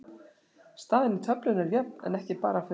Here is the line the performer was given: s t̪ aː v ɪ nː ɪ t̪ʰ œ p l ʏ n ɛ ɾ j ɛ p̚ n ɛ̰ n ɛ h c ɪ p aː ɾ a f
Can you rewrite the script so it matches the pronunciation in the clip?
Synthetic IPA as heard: s t̪ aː ð ɪ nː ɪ t̪ʰ œ p l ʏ n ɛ ɾ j ɛ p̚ n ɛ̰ n ɛ h c ɪ p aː ɾ a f